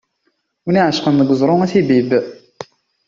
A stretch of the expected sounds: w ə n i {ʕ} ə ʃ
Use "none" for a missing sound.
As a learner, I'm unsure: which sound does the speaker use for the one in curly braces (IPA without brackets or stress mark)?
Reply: ʕ